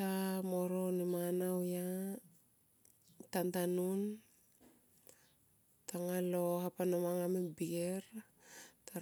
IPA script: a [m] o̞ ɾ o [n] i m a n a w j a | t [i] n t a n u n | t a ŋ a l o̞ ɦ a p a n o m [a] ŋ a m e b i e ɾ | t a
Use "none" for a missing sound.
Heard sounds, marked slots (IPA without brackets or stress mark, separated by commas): m, n, a, a